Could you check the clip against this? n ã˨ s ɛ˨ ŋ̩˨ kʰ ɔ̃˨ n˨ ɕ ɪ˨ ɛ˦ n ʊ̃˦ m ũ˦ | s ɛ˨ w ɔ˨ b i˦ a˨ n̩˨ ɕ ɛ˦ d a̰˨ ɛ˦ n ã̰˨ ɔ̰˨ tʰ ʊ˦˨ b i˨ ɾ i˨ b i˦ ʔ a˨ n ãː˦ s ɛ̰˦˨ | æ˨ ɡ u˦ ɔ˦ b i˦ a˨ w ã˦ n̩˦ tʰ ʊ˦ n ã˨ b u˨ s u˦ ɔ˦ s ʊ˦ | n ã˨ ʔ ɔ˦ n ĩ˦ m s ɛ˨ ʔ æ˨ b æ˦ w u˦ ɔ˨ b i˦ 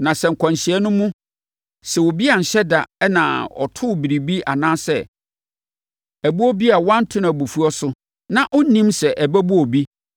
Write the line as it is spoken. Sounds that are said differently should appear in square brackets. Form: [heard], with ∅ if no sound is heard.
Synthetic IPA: n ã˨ s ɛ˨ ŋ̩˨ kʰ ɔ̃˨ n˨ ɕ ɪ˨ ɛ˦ n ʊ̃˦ m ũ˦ | s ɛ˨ w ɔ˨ b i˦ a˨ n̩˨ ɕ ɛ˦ d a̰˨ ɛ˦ n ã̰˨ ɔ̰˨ tʰ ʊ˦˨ b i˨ ɾ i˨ b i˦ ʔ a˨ n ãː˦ s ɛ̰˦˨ | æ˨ [b] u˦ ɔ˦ b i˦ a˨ w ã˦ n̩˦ tʰ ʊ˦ n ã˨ b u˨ [f] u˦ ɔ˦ s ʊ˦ | n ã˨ ʔ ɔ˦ n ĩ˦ m s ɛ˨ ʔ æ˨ b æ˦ [b] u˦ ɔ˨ b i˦